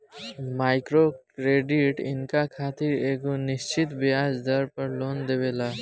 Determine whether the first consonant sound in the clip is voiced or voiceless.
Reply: voiced